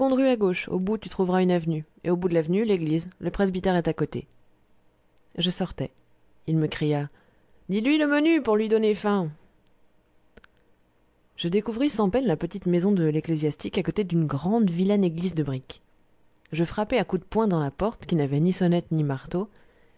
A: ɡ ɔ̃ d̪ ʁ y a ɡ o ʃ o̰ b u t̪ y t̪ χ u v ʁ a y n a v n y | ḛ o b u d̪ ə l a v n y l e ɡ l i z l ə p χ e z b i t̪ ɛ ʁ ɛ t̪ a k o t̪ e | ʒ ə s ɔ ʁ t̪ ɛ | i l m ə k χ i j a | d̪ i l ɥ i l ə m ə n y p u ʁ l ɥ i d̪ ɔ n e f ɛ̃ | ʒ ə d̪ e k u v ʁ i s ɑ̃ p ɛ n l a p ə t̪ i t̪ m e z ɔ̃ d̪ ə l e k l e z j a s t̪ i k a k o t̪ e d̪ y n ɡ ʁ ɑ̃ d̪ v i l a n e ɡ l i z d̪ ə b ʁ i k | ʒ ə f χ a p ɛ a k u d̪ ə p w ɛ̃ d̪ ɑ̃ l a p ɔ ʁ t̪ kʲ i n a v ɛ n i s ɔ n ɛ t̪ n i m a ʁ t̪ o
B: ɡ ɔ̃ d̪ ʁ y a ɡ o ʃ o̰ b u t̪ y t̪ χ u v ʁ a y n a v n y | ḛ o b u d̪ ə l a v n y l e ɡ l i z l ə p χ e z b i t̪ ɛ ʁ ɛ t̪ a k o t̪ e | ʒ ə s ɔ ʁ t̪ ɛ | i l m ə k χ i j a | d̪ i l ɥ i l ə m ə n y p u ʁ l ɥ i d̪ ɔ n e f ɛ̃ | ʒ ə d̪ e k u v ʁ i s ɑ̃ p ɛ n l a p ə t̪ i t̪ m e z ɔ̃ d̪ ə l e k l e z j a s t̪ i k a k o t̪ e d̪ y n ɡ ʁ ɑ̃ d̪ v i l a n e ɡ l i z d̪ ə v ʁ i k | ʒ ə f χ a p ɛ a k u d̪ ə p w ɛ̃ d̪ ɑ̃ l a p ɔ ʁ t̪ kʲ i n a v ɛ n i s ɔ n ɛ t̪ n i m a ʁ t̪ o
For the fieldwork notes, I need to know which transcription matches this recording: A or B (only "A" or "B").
A